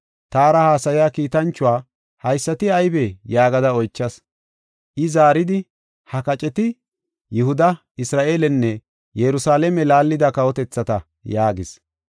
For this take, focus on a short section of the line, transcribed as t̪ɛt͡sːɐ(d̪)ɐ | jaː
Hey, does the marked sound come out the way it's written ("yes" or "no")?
no